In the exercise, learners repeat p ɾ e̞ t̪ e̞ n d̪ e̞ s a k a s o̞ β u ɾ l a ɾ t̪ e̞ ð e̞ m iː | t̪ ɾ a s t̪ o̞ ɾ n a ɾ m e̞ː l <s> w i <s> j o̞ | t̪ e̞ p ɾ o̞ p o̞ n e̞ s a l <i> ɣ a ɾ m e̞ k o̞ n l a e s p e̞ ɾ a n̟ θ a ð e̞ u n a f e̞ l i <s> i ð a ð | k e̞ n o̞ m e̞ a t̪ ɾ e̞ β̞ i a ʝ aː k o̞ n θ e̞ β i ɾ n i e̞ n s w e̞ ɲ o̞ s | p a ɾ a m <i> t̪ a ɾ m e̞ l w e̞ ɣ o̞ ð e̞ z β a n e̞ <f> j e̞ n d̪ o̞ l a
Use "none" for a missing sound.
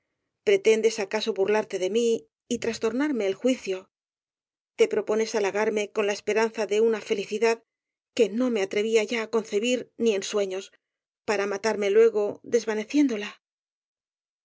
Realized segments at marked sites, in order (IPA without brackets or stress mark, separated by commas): x, θ, a, θ, a, θ